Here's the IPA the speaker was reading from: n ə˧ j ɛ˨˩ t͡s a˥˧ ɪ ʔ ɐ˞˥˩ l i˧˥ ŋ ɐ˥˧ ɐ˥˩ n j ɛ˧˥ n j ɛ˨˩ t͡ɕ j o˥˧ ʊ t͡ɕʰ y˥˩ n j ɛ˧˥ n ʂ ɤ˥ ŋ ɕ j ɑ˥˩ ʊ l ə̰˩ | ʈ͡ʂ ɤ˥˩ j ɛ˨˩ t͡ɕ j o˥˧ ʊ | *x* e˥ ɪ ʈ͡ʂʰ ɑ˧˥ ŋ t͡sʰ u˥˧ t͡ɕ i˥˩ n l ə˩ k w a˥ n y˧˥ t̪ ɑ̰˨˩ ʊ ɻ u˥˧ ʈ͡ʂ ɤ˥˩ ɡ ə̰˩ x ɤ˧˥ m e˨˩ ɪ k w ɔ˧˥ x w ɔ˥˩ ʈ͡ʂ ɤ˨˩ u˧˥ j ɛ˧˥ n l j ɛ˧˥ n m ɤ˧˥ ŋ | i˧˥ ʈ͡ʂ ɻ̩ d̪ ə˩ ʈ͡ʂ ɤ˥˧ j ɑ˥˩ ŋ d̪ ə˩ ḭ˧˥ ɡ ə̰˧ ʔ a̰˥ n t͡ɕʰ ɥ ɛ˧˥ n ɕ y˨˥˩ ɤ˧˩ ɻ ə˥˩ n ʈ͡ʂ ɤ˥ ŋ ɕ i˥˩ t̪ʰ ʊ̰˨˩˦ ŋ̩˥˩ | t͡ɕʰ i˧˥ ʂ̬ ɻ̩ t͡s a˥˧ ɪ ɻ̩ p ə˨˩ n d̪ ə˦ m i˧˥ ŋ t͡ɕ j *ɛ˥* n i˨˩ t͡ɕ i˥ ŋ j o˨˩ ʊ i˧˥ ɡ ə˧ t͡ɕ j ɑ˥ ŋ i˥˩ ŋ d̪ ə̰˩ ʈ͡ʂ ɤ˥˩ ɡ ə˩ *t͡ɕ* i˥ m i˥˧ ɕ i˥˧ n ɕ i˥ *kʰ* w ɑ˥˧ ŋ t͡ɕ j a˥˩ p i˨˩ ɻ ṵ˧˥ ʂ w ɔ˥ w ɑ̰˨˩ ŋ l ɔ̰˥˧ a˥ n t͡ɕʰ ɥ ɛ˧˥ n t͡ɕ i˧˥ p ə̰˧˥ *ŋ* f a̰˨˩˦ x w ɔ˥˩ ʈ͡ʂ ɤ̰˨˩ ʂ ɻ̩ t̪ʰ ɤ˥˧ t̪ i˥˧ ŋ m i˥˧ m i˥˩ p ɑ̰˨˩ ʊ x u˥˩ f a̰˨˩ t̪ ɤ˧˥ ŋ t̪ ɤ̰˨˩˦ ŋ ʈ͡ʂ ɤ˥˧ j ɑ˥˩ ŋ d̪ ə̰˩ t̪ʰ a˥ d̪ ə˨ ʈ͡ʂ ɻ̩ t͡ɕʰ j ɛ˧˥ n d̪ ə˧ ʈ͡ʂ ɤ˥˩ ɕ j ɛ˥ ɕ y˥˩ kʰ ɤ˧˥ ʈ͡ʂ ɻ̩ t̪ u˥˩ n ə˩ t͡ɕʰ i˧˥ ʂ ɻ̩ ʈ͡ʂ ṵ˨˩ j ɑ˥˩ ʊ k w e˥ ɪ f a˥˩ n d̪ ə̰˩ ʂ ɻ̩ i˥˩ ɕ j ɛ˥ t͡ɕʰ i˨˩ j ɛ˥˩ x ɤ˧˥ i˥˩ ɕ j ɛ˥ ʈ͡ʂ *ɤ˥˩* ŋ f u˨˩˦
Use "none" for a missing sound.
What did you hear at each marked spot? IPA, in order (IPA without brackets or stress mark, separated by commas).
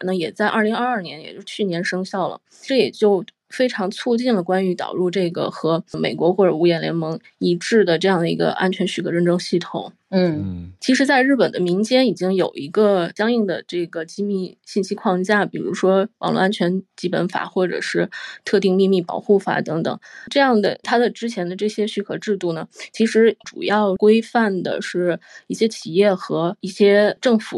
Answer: f, ɛ˥, t͡ɕ, kʰ, n, ɤ˥˩